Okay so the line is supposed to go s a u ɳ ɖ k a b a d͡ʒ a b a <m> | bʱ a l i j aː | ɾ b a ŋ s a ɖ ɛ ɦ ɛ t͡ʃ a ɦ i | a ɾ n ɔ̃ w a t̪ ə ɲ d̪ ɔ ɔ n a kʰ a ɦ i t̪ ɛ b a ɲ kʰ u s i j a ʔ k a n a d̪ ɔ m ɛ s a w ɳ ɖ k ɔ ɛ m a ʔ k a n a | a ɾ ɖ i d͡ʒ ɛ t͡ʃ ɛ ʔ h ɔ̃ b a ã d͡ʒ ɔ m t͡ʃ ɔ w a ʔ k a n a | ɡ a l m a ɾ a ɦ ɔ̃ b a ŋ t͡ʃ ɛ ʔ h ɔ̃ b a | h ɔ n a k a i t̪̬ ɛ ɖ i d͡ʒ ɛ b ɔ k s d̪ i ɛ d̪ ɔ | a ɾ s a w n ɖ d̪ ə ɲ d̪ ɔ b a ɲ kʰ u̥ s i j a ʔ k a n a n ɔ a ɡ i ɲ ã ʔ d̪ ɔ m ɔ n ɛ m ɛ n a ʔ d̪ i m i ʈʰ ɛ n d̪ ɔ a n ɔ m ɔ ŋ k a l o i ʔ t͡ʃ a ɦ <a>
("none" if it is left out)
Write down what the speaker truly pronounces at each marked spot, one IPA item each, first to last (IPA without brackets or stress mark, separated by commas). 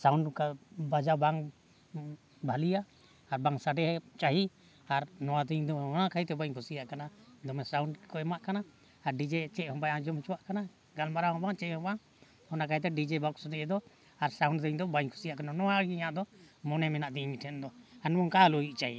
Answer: ŋ, i